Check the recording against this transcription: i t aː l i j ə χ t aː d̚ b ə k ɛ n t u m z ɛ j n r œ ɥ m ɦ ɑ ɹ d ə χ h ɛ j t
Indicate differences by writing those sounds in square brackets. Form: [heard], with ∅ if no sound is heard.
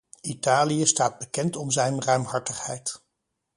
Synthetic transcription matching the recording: i t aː l i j ə [s] t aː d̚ b ə k ɛ n t [ɔ] m z ɛ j n r œ ɥ m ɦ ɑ ɹ [t] ə χ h ɛ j t

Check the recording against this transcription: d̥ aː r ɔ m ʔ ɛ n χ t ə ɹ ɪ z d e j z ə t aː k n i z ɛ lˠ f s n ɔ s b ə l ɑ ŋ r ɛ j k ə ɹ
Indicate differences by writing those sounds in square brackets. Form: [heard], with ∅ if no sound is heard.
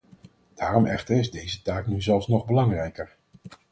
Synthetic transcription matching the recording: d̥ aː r ɔ m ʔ ɛ [∅] χ t ə ɹ ɪ z d e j z ə t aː k n [y] z ɛ lˠ f s n ɔ [χ] b ə l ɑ ŋ r ɛ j k ə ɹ

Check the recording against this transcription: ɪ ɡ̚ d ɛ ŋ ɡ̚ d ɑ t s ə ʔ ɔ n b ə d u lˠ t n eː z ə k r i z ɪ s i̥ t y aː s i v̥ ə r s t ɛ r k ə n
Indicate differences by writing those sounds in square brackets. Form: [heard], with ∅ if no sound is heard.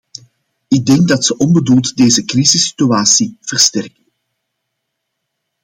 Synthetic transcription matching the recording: ɪ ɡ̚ d ɛ ŋ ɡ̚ d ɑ t s ə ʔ ɔ n b ə d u lˠ t [d] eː z ə k r i z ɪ s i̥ t y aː s i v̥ ə r s t ɛ r k ə n

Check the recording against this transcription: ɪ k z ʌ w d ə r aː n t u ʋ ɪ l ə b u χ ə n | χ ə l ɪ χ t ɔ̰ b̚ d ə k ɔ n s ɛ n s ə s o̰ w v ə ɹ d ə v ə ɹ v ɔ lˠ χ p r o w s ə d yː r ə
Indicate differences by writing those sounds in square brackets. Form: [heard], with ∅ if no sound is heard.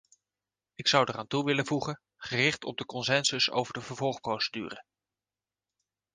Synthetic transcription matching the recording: ɪ k [s] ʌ w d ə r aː n t u ʋ ɪ l ə [v] u χ ə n | χ ə [r] ɪ χ t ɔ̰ b̚ d ə k ɔ n s ɛ n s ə s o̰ w v ə ɹ d ə v ə ɹ v ɔ lˠ χ p r o w s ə d yː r ə

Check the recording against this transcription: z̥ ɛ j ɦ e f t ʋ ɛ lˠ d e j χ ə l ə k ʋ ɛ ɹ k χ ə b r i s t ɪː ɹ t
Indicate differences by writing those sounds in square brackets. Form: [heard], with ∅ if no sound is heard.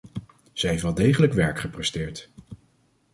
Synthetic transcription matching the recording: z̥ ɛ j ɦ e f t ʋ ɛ lˠ d e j χ ə l ə k ʋ ɛ ɹ k χ ə [p] r [ɛ] s t ɪː ɹ t

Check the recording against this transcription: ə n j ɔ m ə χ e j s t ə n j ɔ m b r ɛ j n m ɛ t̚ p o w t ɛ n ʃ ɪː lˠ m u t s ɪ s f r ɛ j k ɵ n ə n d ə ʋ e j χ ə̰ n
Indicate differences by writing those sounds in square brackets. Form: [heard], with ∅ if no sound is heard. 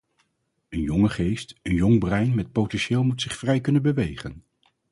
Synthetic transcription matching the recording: ə n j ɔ [ŋ] ə χ e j s t ə n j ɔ [ŋ] b r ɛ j n m ɛ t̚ p o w t ɛ n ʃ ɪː lˠ m u t s ɪ [χ] f r ɛ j k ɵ n ə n [b] ə ʋ e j χ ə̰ n

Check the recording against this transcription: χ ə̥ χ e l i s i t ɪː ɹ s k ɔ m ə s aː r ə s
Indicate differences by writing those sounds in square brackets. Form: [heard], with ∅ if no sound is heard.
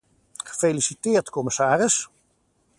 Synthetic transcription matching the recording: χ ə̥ [f] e l i s i t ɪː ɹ [t] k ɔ m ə s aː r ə s

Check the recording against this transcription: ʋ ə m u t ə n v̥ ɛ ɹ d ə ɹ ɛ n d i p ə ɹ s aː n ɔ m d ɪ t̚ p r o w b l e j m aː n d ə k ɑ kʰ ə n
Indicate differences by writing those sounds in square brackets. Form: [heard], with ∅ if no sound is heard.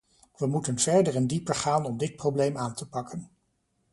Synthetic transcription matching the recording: ʋ ə m u t ə n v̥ ɛ ɹ d ə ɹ ɛ n d i p ə ɹ [χ] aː n ɔ m d ɪ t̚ p r o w b l e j m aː n [t] ə [p] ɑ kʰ ə n

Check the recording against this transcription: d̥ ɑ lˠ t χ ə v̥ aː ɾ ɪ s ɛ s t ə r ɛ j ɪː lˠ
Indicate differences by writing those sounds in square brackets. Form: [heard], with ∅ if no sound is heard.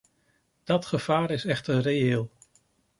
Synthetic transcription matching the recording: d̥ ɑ [∅] t χ ə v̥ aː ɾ ɪ s ɛ [χ] t ə r [e] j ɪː lˠ

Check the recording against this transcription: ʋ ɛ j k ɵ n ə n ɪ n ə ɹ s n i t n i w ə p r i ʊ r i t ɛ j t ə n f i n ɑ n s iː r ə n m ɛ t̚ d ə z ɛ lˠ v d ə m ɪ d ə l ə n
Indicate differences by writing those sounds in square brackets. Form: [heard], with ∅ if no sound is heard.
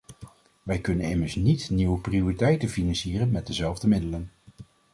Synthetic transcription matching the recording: ʋ ɛ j k ɵ n ə n ɪ [m] ə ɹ s n i t n i w ə p r i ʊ r i t ɛ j t ə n f i n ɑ n s iː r ə n m ɛ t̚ d ə z ɛ lˠ v d ə m ɪ d ə l ə n

